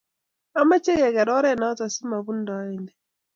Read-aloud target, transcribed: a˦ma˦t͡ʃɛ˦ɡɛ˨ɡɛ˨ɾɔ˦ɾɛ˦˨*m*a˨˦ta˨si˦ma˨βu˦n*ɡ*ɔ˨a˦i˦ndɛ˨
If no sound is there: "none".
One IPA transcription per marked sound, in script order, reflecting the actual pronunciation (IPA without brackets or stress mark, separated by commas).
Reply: n, d